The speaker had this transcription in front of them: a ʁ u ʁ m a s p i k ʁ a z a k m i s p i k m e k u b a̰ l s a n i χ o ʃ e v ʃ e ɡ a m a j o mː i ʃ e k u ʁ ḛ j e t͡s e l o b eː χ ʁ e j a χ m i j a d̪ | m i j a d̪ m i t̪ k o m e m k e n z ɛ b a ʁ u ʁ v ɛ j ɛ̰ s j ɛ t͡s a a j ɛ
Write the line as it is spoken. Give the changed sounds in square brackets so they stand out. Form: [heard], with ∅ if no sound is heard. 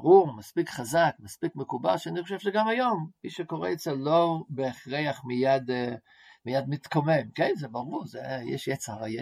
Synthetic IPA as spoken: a ʁ u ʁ m a s p i k [χ] a z a k m [a] s p i k m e k u b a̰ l [ʃ] a n i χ o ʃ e v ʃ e ɡ a m a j o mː i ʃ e k [o] ʁ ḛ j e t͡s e l o b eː χ ʁ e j a χ m i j a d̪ | m i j a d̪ m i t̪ k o m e m k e n z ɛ b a ʁ u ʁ [z] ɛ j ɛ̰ [ʃ] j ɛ t͡s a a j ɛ